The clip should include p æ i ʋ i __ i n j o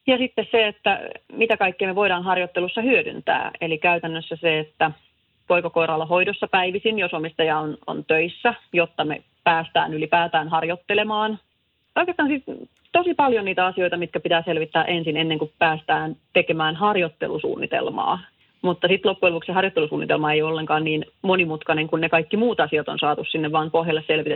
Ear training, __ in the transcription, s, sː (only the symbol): s